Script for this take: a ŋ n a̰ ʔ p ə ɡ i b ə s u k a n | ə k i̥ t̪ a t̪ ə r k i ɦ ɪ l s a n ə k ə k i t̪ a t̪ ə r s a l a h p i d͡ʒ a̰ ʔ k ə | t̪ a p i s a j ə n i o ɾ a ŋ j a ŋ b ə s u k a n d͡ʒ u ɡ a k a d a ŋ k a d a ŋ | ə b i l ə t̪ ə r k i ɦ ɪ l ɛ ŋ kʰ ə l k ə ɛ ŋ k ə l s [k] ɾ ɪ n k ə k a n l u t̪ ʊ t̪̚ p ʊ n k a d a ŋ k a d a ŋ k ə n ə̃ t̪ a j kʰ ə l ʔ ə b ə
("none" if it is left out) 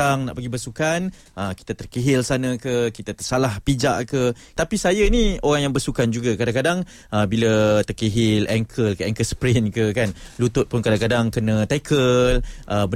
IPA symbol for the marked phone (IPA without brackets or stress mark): p